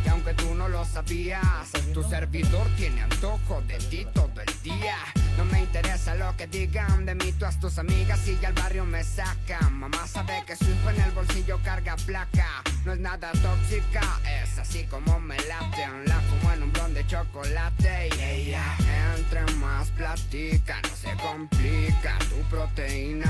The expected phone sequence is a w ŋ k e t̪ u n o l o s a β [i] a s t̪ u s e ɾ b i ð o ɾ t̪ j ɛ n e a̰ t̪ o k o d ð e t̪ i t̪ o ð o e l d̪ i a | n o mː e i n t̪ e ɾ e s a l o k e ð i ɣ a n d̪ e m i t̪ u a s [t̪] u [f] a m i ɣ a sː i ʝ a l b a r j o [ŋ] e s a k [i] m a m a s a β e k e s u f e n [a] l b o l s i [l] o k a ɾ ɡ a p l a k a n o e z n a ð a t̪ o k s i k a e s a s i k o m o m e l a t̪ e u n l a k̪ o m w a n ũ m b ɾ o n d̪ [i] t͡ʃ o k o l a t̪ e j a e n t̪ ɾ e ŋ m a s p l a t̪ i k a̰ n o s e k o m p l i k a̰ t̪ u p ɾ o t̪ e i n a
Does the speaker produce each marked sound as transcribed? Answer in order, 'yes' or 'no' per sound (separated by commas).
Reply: yes, yes, no, no, no, no, no, no